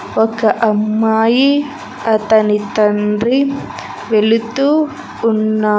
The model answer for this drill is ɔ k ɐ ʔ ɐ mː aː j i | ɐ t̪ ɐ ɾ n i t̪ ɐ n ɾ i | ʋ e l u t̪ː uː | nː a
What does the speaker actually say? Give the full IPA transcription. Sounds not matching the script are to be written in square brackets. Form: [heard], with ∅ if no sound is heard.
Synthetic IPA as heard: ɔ k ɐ ʔ ɐ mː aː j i | ɐ t̪ ɐ [∅] n i t̪ ɐ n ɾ i | ʋ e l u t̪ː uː | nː a